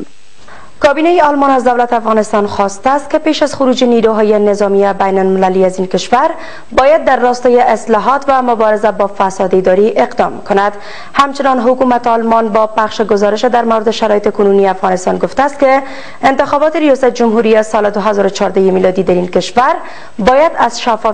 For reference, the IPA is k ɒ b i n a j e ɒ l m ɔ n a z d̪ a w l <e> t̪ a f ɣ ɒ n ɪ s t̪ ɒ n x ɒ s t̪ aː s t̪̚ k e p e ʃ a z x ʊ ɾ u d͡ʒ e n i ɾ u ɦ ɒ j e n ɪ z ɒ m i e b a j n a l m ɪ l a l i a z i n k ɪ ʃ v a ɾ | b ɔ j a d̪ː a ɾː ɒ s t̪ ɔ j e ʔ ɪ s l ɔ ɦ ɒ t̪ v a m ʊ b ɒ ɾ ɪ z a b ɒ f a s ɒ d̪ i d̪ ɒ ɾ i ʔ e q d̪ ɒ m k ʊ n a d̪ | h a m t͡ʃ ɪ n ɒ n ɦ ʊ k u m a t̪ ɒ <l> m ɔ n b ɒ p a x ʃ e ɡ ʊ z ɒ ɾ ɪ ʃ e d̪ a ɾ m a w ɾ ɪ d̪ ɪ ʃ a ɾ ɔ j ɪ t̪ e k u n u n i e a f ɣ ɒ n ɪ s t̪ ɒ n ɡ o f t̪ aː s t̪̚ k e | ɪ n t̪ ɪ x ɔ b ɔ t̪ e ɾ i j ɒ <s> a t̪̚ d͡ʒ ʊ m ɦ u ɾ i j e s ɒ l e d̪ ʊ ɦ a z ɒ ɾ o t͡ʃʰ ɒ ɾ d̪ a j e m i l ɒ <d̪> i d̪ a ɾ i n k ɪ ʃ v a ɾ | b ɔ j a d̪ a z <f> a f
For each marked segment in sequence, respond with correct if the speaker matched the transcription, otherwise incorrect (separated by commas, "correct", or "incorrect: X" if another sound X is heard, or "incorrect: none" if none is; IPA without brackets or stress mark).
incorrect: a, correct, correct, correct, incorrect: ʃ